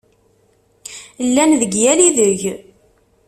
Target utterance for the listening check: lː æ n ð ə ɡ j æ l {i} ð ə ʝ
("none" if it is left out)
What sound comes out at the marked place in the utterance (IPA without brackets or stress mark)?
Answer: i